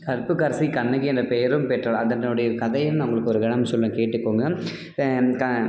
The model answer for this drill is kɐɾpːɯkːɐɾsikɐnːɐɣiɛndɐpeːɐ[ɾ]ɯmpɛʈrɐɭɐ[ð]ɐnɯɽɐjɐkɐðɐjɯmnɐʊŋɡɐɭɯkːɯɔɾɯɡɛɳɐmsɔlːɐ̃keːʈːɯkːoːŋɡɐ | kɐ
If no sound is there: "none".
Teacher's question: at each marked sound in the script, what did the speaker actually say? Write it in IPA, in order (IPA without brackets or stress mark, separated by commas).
ɾ, ð